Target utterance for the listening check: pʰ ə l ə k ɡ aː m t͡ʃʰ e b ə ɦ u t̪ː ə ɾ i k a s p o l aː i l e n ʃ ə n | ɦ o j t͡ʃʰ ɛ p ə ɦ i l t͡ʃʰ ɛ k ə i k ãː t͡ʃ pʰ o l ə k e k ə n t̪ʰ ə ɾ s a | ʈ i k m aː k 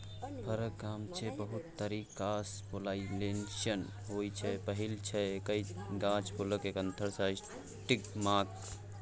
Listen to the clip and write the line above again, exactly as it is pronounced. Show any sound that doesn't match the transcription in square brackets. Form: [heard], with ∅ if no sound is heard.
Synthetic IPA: pʰ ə [ɾ] ə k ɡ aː m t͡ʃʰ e b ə ɦ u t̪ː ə ɾ i k a s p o l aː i l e n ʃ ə n | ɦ o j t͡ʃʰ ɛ p ə ɦ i l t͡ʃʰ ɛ k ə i [ɡ] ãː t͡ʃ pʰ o l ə k e k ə n t̪ʰ ə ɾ s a | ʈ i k m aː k